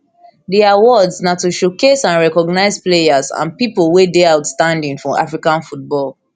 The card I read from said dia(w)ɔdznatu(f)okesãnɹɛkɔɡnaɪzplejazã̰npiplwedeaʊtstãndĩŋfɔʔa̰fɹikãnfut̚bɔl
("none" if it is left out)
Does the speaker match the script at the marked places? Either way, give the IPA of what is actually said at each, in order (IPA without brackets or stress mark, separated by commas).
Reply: w, ʃ